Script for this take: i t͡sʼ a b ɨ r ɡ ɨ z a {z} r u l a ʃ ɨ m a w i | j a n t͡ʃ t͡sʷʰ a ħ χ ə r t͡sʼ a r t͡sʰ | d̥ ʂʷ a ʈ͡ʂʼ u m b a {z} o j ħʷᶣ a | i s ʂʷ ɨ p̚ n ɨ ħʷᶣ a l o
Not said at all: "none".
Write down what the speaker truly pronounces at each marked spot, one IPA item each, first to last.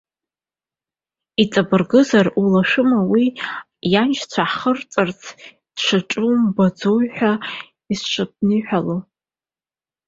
none, d͡z

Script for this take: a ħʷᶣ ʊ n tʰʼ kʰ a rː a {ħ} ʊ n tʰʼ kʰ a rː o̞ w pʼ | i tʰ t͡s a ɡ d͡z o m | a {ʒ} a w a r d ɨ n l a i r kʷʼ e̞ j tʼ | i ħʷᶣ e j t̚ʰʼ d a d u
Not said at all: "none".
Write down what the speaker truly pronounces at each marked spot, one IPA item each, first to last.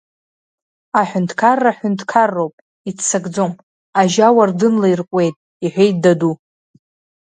ħ, ʒ

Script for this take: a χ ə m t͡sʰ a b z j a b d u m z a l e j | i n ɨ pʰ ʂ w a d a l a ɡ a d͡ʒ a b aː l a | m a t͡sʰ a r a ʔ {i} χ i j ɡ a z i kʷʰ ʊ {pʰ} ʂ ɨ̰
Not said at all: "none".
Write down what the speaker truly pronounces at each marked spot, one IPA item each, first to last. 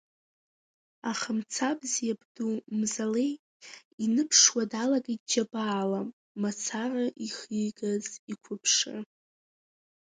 i, pʰ

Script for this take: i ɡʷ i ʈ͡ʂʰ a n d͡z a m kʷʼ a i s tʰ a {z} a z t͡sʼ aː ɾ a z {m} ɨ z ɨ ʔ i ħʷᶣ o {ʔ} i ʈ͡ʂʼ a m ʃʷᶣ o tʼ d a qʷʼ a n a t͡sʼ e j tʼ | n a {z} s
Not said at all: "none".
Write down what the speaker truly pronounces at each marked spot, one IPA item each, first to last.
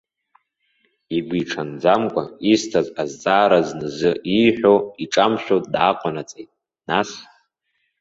z, n, none, none

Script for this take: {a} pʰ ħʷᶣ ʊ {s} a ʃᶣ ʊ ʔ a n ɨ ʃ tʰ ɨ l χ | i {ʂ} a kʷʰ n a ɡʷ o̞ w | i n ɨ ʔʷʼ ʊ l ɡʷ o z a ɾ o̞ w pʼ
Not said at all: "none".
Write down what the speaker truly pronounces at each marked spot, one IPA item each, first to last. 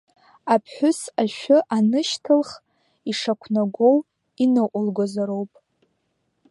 a, s, ʂ

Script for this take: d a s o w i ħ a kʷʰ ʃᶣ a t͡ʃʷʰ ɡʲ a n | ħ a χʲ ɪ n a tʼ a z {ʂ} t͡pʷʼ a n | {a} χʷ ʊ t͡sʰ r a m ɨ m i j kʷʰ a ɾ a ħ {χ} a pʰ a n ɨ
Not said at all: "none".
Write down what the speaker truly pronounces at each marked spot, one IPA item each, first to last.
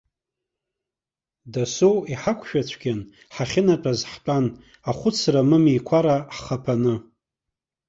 ħ, a, χ

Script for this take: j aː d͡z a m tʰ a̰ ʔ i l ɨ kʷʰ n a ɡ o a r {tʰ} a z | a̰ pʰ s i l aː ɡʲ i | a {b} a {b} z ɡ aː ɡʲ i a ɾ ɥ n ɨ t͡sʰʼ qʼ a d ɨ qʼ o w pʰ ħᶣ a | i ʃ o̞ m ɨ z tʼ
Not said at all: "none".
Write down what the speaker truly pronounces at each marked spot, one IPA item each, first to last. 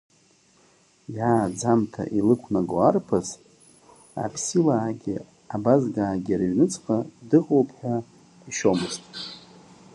pʰ, b, none

